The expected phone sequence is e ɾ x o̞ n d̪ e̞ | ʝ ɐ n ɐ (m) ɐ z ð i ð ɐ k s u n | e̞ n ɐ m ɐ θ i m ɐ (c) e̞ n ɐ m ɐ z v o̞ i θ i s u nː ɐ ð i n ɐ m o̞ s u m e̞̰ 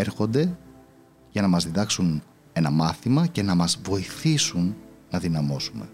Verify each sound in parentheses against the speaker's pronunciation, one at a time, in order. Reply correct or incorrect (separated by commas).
correct, correct